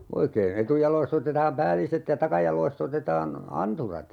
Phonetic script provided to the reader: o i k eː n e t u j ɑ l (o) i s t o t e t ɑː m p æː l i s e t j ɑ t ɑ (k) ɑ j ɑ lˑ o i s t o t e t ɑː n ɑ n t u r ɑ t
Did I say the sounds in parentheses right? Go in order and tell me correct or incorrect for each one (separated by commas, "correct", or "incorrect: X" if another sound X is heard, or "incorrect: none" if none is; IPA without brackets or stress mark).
correct, correct